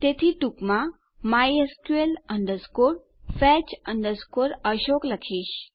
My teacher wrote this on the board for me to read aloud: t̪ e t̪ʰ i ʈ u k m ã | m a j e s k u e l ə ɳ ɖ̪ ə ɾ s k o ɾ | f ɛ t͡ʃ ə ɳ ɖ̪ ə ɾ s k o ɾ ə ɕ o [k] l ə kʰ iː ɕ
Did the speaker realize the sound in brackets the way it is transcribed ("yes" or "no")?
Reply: yes